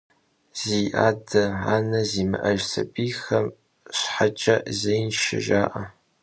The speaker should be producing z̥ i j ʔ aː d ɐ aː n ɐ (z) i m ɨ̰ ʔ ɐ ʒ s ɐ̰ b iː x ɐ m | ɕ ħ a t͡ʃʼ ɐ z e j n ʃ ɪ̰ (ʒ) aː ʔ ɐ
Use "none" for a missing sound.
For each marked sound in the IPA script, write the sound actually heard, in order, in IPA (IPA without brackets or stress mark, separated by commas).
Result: z, ʒ